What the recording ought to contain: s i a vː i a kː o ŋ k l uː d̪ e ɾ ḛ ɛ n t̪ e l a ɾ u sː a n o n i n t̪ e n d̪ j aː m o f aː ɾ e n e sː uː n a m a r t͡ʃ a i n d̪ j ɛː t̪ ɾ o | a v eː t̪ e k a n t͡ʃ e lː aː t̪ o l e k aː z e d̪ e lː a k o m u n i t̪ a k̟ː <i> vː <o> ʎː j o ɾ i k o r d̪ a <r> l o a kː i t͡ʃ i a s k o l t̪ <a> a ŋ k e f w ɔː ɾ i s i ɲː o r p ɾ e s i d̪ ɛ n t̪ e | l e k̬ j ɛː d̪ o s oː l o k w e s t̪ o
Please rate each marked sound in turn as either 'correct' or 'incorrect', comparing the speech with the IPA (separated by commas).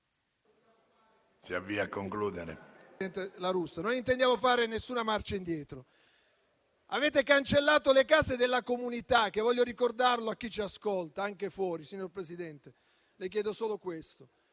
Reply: incorrect, incorrect, correct, correct